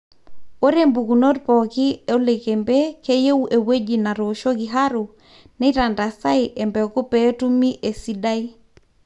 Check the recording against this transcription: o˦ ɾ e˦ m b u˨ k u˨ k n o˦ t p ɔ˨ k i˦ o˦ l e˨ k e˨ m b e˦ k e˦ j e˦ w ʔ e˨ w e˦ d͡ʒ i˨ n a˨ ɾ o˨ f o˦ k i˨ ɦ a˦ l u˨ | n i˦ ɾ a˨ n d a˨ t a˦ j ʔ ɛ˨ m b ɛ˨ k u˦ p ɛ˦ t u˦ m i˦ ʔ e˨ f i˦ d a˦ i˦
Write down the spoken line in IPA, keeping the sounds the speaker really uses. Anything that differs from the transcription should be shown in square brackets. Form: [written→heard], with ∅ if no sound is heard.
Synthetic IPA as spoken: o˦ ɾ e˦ m b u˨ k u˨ [k→∅] n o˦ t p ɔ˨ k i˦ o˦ l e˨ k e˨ m b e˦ k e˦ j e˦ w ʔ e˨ w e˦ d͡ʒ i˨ n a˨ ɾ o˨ [f→ʃ] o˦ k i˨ ɦ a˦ [l→ɾ] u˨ | n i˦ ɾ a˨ n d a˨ [t→s] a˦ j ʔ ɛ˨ m b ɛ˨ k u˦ p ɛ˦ t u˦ m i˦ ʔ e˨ [f→s] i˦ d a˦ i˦